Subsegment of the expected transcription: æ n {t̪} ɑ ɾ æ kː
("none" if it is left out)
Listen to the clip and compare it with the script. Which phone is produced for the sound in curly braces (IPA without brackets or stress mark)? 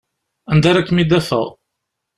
d̪